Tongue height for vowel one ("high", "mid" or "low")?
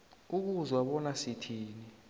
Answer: high